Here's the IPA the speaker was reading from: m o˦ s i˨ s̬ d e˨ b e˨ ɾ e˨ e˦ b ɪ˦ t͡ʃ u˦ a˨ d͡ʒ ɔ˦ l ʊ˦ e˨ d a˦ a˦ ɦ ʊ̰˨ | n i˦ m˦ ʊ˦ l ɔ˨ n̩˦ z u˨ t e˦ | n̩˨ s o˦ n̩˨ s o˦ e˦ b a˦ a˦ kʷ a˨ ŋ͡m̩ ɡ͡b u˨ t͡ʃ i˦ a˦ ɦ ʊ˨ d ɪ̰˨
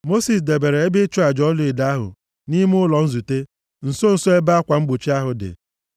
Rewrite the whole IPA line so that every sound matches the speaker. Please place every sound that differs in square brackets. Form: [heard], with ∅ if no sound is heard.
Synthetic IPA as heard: m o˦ s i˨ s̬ d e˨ b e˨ ɾ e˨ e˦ b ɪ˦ t͡ʃ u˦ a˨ d͡ʒ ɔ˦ l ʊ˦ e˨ d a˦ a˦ ɦ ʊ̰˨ | n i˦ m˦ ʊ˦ l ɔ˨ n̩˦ z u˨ t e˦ | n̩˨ s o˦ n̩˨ s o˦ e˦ b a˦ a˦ kʷ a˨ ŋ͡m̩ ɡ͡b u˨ t͡ʃ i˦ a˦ ɦ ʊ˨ d ɪ̰˨

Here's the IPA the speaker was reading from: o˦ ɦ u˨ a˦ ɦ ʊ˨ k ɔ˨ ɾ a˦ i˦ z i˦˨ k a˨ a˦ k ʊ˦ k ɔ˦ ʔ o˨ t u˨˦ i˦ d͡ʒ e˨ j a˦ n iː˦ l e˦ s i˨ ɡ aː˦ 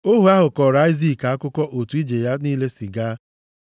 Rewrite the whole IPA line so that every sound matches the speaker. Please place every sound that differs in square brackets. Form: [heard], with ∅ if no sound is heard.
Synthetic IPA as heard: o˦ ɦ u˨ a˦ ɦ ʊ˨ k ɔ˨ ɾ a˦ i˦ z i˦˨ k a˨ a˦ k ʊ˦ k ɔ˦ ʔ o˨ t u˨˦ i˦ d͡ʒ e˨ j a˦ n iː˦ l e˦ s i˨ ɡ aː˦

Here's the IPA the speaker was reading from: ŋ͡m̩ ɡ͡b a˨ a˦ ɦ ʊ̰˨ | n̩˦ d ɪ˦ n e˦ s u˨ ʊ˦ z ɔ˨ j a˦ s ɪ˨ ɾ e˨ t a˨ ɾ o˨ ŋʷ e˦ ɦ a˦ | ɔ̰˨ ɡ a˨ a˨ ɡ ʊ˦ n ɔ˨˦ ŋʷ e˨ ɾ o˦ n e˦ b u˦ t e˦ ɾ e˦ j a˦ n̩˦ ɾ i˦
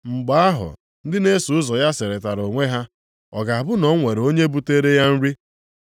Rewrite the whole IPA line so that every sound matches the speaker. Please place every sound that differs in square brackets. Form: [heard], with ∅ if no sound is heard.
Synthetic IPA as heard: ŋ͡m̩ ɡ͡b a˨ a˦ ɦ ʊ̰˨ | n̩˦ d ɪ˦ n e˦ s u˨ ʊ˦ z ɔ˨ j a˦ s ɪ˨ ɾ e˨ t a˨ ɾ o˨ ŋʷ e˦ ɦ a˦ | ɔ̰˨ ɡ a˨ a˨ [b] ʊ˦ n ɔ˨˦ ŋʷ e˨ ɾ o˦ [ɲ] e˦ b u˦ t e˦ ɾ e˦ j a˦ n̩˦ ɾ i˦

